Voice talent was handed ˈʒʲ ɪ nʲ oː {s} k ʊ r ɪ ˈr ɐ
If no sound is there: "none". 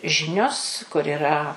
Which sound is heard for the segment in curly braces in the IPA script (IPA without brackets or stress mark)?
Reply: s